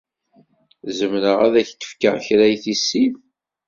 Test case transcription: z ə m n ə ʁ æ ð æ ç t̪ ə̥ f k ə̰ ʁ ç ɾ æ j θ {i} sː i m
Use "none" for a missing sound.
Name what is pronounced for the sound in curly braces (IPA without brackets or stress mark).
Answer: i